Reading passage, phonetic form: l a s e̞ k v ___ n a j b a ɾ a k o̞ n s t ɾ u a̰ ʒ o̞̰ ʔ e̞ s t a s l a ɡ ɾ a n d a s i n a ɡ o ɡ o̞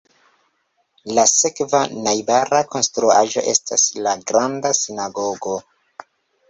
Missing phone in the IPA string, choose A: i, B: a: B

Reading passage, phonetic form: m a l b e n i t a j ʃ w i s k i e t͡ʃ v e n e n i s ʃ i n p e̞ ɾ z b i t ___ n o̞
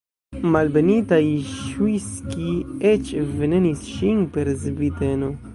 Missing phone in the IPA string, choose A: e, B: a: A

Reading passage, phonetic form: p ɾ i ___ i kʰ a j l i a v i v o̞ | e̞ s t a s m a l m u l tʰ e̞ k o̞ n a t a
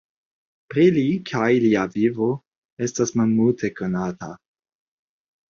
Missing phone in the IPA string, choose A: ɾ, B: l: B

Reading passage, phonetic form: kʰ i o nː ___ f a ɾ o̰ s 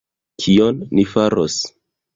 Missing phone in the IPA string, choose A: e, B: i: B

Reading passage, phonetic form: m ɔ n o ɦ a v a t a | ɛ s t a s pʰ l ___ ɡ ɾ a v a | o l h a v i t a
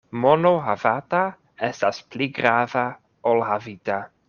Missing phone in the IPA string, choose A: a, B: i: B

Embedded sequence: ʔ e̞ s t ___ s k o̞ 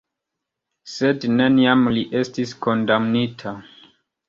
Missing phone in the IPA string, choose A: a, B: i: B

